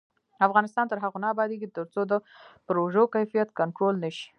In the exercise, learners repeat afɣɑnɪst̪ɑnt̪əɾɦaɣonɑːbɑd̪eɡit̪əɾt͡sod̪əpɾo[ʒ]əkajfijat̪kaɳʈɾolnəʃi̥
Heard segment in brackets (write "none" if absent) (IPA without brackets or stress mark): ʒ